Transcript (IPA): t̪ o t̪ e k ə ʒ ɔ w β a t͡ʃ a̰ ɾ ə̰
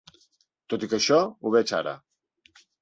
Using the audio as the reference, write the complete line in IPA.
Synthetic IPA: t̪ o t̪ i k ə ʃ ɔ u β ɛ t͡ʃ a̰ ɾ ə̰